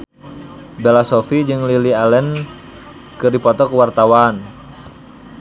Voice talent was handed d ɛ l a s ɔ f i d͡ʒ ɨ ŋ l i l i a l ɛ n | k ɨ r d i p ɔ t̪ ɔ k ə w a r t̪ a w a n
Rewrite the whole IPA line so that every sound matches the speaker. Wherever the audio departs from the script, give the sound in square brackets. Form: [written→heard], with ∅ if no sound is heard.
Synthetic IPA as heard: [d→b] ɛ l a s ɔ f i d͡ʒ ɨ ŋ l i l i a l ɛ n | k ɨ r d i p ɔ t̪ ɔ k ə w a r t̪ a w a n